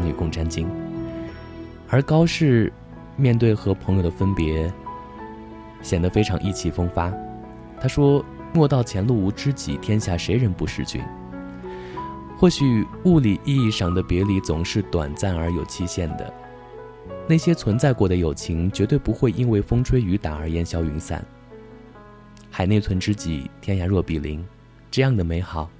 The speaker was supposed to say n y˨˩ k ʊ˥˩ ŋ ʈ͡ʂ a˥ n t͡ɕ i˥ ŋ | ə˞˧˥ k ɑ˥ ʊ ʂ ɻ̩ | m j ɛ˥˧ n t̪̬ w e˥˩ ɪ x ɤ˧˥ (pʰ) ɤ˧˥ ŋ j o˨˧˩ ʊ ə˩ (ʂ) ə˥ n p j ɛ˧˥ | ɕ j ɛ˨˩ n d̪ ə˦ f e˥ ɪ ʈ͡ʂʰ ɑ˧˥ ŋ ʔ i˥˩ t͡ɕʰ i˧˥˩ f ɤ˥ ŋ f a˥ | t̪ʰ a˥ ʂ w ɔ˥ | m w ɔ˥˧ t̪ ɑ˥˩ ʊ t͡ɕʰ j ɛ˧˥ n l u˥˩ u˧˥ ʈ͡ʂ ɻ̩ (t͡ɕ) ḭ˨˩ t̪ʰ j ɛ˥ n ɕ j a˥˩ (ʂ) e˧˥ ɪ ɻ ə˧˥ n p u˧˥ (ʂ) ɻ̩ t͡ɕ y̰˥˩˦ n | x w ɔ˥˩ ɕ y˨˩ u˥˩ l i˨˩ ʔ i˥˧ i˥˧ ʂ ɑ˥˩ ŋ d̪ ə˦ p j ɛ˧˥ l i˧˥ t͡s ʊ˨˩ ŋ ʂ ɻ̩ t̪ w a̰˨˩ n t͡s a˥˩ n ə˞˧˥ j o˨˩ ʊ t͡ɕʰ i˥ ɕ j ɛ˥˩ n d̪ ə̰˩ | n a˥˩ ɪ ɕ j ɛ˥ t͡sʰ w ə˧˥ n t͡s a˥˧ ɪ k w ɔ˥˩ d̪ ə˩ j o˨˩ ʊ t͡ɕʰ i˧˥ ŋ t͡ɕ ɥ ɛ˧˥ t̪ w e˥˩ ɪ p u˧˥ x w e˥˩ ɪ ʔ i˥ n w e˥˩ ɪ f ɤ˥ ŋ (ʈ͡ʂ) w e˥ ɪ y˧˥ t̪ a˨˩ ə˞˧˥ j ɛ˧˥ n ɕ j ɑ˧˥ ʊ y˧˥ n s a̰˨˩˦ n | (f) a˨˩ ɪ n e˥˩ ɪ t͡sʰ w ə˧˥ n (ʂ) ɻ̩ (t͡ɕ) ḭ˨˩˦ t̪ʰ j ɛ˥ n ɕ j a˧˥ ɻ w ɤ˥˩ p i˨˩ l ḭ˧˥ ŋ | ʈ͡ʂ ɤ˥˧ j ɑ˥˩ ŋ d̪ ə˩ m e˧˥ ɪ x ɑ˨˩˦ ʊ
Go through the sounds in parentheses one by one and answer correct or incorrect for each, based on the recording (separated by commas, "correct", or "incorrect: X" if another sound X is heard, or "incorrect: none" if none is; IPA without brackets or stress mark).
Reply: correct, incorrect: f, correct, correct, correct, incorrect: ʈ͡ʂʰ, incorrect: x, incorrect: ʈ͡ʂ, correct